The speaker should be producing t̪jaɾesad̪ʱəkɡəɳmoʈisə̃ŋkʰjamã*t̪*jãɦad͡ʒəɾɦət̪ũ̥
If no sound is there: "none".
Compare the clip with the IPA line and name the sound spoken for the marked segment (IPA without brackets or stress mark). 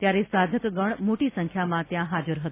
t̪